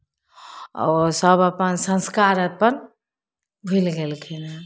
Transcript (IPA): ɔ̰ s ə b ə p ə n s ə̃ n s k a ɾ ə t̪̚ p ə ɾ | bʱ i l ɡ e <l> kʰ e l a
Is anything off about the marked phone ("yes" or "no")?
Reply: no